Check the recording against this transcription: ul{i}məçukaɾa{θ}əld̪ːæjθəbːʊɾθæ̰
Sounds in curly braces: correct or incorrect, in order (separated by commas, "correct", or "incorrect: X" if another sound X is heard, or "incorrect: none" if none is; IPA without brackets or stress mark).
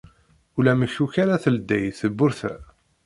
incorrect: æ, correct